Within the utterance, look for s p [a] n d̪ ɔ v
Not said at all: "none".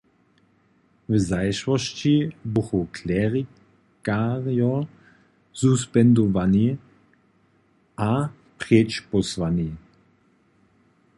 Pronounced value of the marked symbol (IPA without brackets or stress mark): ɛ